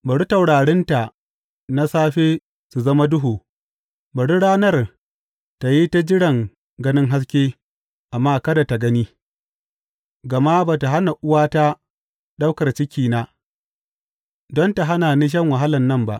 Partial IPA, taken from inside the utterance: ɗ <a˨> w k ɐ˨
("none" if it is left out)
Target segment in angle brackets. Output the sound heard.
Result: a˦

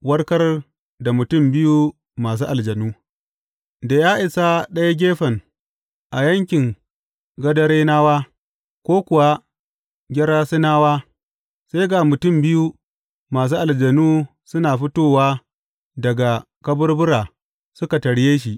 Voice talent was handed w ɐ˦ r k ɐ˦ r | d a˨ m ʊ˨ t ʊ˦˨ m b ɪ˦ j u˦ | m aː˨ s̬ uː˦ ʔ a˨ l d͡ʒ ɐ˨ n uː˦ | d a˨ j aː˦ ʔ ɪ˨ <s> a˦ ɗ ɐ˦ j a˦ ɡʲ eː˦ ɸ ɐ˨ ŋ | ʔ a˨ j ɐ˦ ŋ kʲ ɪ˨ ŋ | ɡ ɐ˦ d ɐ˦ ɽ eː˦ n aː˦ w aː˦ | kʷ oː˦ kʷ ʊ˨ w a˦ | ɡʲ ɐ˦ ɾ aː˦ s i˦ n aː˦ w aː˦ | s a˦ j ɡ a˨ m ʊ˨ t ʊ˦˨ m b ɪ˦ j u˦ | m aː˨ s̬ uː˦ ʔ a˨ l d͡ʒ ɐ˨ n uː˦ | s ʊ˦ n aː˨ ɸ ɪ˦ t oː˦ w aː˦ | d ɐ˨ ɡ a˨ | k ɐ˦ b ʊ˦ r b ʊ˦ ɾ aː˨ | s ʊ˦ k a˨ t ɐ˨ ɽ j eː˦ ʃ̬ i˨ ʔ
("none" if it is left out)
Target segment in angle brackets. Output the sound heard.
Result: s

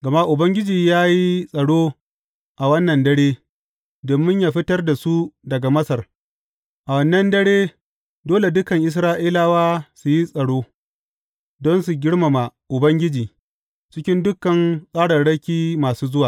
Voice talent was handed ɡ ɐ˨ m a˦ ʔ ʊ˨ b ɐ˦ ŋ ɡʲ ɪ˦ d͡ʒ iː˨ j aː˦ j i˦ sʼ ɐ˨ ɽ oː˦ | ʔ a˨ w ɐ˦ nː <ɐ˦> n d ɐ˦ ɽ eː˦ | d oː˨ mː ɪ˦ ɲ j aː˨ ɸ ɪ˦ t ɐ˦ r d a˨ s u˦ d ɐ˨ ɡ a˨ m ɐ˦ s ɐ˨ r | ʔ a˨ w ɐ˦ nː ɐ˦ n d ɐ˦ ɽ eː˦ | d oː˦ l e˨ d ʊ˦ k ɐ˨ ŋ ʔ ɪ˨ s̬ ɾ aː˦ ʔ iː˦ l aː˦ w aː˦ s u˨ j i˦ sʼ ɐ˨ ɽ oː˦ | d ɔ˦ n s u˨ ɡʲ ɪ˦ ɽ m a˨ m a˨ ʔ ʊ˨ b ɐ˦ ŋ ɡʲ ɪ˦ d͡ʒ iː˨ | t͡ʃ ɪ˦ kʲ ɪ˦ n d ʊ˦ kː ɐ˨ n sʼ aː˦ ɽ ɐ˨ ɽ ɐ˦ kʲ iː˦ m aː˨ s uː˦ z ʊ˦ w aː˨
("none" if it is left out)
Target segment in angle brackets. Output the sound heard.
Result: ɐ˨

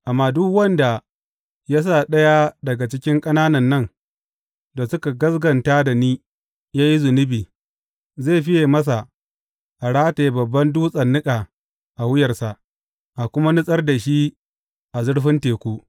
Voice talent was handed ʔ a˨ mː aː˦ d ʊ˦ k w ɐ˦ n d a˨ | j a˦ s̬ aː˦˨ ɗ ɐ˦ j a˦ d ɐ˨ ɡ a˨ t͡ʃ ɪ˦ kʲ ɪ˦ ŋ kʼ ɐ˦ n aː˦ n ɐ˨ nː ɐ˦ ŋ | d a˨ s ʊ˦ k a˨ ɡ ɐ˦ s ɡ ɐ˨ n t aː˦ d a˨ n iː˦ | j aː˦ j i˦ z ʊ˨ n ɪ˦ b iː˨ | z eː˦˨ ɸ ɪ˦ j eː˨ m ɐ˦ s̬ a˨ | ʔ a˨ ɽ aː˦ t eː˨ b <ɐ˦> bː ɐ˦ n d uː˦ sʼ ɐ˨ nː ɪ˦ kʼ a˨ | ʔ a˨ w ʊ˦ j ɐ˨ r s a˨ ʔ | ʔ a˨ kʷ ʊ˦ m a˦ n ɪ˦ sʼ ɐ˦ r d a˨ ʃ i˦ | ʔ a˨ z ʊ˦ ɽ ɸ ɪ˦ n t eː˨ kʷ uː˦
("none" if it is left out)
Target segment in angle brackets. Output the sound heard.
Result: ɐ˨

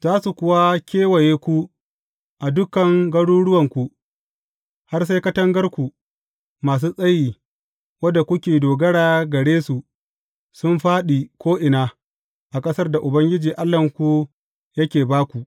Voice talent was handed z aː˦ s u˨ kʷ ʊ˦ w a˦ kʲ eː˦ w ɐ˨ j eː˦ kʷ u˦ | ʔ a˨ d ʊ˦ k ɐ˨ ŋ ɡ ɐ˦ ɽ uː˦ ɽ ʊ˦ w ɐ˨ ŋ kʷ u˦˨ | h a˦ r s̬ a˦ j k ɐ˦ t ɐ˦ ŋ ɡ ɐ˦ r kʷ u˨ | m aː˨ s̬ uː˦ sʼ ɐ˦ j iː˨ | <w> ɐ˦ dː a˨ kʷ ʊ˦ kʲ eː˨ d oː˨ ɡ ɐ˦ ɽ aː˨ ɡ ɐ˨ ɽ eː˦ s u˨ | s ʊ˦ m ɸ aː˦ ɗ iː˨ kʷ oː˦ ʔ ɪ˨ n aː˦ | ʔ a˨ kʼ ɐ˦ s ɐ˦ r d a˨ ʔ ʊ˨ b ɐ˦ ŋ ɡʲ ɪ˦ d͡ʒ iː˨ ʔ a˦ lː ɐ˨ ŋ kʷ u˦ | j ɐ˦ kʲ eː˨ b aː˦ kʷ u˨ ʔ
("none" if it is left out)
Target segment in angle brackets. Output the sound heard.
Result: w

